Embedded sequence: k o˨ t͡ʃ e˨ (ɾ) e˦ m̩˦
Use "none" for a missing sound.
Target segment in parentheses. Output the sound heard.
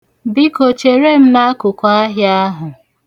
ɾ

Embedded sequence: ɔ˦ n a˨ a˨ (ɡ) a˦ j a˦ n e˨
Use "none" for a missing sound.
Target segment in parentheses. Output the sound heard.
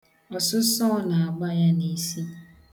ɡ͡b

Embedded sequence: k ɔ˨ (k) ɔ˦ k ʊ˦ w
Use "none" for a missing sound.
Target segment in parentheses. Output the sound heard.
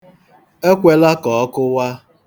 none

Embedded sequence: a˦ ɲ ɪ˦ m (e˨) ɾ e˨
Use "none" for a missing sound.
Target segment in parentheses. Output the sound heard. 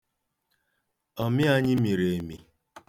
i˨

